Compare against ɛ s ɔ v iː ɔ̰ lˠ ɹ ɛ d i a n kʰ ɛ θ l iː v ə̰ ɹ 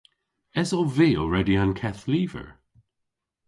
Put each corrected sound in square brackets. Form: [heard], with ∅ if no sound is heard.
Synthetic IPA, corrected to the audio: ɛ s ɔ v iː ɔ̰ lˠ ɹ ɛ d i a n kʰ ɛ θ l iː v ə̰ ɹ

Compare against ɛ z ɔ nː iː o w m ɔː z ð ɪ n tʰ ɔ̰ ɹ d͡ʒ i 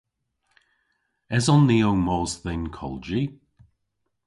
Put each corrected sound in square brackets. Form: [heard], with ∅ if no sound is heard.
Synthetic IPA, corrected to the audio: ɛ z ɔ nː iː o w m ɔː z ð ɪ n [kʰ] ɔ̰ [l] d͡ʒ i

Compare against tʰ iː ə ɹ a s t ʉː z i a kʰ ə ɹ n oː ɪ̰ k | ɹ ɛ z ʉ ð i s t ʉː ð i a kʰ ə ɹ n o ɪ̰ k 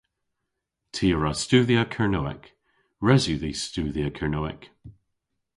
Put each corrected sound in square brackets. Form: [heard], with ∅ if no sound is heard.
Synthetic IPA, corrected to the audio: tʰ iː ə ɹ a s t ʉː [ð] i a kʰ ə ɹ n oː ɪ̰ k | ɹ ɛ z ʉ ð i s t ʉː ð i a kʰ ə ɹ n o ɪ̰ k

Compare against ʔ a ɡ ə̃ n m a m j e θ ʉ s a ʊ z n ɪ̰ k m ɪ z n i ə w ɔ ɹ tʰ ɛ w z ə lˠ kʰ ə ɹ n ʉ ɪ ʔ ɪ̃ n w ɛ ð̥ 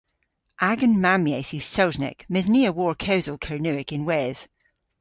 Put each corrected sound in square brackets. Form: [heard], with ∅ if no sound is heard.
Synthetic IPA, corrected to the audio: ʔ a ɡ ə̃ n m a m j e θ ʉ s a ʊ z n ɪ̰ k m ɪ z n i ə w ɔ ɹ [kʰ] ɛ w z ə lˠ kʰ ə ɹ n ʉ ɪ [k] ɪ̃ n w ɛ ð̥

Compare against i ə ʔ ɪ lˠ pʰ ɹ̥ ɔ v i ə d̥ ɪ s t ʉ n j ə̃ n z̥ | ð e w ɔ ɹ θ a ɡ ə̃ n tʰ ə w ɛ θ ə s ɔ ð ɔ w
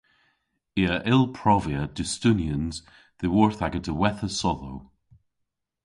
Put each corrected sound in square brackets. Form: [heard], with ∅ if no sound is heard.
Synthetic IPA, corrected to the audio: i ə ʔ ɪ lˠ pʰ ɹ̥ ɔ v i ə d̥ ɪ s t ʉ n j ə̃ n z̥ | ð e w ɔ ɹ θ a ɡ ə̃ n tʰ ə w ɛ θ ə s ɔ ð [o] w

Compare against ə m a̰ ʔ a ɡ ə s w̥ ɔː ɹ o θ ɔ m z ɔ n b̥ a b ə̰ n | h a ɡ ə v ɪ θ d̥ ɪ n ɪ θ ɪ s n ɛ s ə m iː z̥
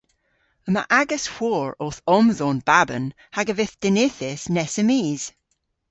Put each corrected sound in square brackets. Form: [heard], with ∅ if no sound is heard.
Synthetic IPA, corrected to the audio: ə m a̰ ʔ a ɡ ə s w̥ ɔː ɹ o θ ɔ m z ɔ n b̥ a b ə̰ n | h a ɡ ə v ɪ θ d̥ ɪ n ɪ θ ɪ s n ɛ s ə m iː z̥

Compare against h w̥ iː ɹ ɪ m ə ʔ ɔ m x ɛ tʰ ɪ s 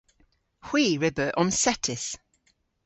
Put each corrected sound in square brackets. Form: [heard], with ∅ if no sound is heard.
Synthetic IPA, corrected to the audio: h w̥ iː ɹ ɪ [b] ə ʔ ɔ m [s] ɛ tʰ ɪ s

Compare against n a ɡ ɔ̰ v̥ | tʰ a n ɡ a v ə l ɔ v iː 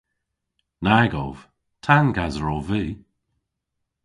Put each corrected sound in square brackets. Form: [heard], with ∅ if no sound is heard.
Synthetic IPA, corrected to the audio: n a ɡ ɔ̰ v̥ | tʰ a n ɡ a [z] ə [ɹ] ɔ v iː

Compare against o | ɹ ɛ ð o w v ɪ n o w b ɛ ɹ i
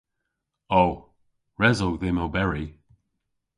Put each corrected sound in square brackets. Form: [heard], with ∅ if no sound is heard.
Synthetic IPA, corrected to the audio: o | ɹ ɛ [z] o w [ð] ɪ [m] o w b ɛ ɹ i

